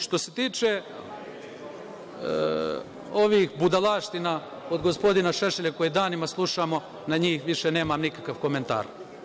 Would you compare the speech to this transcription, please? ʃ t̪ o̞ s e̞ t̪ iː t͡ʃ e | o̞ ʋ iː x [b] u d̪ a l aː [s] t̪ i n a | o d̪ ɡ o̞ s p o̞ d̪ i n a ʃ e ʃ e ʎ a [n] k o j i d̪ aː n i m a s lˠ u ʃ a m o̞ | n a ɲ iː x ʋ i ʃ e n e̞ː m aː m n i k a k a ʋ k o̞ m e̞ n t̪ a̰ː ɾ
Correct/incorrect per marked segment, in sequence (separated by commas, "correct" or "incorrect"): correct, incorrect, incorrect